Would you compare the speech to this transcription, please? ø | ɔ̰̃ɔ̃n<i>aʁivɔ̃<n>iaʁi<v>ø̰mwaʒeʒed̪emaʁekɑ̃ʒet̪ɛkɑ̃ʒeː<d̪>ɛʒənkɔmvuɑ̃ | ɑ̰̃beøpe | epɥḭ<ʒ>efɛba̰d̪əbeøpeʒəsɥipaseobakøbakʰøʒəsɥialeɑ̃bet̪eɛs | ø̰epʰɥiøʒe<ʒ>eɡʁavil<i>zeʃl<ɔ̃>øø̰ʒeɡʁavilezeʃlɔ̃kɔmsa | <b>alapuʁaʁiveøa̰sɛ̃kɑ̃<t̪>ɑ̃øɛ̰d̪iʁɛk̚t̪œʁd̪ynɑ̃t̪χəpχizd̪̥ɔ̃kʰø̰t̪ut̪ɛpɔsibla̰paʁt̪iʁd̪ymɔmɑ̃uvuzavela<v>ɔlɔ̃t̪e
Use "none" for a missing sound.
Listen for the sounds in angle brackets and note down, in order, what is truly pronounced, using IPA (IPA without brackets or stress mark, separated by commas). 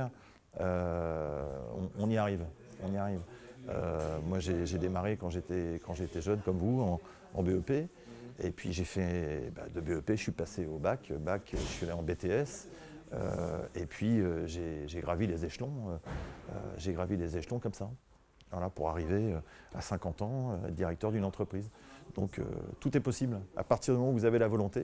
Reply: i, n, v, t̪, ʒ, ʒ, e, ɔ̃, v, t̪, v